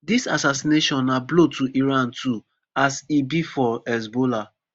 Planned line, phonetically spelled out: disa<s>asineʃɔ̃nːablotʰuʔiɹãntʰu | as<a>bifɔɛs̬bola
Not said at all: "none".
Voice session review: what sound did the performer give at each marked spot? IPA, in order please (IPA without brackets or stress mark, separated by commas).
s, i